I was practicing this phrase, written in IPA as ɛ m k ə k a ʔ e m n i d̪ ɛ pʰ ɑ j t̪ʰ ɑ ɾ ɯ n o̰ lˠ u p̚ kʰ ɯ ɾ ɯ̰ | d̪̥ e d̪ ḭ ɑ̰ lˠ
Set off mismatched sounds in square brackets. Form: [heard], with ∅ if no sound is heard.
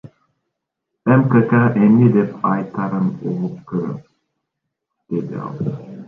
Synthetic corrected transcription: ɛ m k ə k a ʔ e m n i d̪ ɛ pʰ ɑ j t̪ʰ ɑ ɾ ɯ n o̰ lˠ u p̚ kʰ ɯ ɾ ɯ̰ | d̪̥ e d̪ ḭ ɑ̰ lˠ